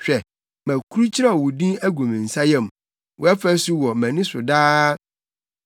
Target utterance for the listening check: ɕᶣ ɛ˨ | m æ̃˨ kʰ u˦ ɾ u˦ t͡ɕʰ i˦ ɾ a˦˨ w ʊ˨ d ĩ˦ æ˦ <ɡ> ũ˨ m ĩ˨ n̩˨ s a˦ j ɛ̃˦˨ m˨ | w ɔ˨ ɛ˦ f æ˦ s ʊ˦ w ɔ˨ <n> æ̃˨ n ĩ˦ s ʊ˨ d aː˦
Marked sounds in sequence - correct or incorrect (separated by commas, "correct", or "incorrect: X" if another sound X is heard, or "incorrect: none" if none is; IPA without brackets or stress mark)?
correct, incorrect: m